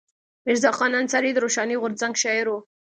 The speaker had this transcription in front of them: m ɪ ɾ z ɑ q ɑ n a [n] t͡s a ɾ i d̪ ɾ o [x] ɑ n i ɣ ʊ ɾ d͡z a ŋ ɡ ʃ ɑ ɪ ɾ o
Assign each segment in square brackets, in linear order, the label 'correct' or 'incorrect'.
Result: correct, incorrect

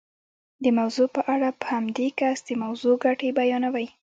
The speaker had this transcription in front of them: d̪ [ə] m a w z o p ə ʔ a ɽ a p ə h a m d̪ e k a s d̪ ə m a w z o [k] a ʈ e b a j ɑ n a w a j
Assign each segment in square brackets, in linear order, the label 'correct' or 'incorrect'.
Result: correct, incorrect

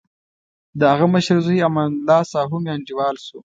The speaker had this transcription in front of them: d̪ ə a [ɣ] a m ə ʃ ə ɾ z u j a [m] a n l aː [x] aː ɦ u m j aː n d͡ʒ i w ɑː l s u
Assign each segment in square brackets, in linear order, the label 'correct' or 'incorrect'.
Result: correct, correct, incorrect

